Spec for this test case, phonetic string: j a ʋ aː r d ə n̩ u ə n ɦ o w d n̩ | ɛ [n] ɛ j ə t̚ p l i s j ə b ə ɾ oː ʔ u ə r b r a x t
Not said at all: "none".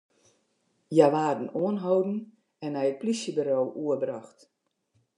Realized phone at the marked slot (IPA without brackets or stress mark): n